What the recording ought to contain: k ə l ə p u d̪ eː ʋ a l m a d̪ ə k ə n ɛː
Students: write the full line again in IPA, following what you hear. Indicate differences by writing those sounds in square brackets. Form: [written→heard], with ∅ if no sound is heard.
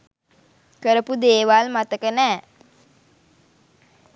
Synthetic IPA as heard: k ə [l→ɾ] ə p u d̪ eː ʋ a l m a [d̪→t̪] ə k ə n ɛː